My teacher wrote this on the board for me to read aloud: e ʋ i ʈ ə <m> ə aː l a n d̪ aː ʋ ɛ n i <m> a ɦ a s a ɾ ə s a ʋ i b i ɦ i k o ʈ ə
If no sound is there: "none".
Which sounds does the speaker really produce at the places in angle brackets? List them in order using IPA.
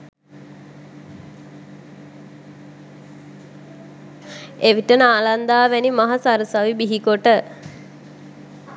n, m

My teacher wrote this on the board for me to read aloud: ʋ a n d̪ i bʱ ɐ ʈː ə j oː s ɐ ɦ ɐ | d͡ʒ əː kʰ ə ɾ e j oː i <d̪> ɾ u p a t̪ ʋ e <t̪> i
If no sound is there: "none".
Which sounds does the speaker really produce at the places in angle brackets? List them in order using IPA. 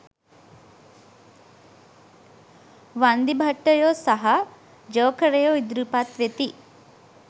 d̪, t̪

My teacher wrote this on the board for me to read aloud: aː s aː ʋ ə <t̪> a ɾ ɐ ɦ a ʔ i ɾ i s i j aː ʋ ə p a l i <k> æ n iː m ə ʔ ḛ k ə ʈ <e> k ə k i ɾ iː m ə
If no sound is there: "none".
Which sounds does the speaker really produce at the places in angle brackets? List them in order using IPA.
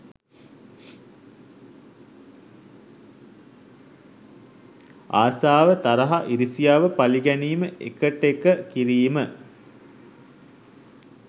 t̪, ɡ, e

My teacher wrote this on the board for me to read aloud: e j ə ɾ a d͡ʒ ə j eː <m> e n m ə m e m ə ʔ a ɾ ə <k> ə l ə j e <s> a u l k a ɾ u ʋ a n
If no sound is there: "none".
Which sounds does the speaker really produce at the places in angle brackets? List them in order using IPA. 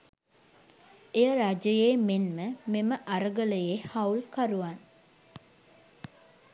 m, ɡ, h

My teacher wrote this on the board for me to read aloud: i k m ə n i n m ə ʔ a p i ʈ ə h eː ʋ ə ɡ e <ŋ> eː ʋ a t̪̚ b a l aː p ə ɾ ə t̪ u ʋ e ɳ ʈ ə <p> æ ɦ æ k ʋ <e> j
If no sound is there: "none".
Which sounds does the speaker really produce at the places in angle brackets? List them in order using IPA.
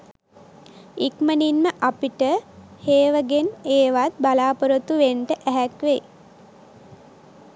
n, ʔ, e

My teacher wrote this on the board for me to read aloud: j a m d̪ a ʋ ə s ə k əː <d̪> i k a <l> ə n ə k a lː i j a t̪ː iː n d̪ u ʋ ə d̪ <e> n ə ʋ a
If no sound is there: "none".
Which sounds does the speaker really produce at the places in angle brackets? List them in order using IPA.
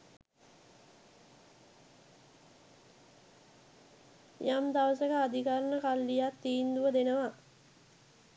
d̪, ɾ, e

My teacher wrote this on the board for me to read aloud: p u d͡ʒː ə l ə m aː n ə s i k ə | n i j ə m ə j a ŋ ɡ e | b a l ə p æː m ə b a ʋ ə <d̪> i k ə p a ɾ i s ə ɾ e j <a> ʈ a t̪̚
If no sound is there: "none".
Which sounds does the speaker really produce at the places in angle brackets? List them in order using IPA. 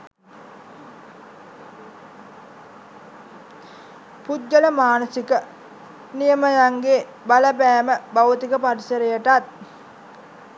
t̪, ə

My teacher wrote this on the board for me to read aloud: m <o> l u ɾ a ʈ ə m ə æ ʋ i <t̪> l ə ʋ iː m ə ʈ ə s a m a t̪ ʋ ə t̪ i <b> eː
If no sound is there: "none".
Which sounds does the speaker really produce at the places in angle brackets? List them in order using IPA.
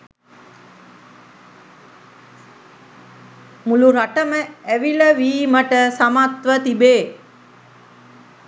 u, none, b

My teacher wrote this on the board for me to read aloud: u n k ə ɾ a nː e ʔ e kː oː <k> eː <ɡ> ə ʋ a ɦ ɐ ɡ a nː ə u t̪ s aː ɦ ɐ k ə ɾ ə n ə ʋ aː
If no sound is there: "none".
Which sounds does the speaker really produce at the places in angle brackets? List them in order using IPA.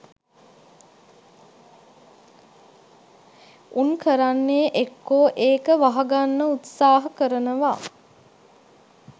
ʔ, k

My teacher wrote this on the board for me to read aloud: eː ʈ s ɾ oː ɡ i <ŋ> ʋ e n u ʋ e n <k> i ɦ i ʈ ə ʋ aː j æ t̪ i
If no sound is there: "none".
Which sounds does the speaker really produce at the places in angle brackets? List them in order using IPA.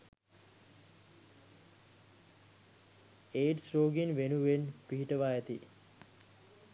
n, p

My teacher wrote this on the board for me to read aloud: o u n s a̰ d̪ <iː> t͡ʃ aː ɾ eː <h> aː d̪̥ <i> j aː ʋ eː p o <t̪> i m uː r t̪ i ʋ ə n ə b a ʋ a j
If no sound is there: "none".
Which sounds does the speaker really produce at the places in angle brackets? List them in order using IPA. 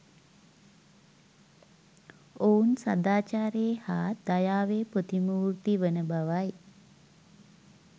aː, h, a, t̪

